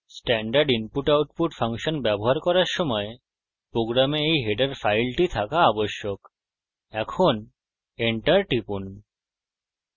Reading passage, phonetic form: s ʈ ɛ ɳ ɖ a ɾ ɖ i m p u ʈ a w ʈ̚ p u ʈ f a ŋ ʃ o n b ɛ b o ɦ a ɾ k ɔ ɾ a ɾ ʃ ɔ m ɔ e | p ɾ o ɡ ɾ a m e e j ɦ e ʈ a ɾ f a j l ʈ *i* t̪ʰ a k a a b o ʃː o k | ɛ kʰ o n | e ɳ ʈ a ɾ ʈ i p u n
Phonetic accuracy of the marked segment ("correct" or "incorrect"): correct